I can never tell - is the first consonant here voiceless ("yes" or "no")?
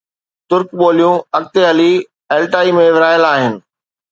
yes